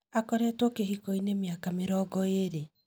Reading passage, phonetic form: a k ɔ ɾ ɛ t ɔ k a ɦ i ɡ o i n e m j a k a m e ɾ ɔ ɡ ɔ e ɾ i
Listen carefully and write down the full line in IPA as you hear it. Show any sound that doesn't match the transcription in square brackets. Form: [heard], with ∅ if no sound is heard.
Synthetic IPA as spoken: a k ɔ ɾ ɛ t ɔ k [e] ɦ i [k] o i n e m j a k a m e ɾ ɔ ɡ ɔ e ɾ [e]